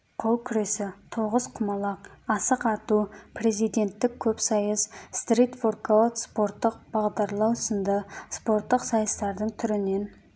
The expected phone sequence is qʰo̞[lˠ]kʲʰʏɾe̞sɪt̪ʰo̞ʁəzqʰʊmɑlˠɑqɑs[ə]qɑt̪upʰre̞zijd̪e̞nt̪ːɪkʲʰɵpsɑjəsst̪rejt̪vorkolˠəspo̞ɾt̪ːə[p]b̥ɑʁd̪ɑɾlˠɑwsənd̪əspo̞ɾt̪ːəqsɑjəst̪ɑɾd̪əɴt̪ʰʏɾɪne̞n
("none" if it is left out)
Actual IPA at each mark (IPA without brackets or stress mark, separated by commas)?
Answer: lˠ, ə, q